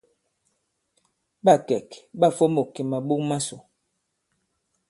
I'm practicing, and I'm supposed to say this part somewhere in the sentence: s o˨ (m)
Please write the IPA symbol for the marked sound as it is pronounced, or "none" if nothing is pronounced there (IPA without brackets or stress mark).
none